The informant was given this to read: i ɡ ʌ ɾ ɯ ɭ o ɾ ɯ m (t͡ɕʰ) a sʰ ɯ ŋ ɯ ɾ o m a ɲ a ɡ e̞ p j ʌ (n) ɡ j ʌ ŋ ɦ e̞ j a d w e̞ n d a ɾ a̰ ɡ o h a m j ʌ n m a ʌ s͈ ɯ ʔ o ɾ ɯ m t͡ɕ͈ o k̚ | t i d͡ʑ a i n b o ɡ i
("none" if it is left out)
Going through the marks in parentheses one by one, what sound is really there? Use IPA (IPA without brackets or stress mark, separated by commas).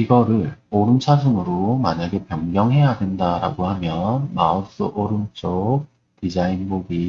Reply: t͡ɕʰ, ŋ